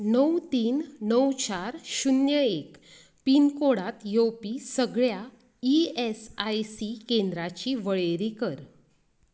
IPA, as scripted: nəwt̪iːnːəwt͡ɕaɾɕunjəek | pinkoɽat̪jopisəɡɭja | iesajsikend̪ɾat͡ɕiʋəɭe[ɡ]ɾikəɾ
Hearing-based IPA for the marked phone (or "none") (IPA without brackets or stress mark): none